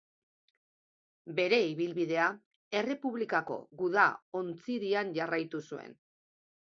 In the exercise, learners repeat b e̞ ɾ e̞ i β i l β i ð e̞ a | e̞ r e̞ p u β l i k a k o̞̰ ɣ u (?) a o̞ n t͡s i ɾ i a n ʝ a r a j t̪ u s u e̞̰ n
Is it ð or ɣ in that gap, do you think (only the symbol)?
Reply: ð